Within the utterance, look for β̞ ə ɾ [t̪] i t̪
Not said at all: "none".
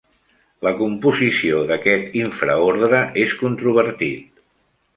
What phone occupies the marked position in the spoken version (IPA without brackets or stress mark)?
t̪